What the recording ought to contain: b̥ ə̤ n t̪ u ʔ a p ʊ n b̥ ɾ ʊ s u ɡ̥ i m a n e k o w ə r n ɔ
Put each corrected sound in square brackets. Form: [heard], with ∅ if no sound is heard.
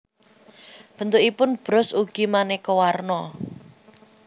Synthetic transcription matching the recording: b̥ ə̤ n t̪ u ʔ [i] p ʊ n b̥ ɾ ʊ s u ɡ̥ i m a n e k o w [a] r n ɔ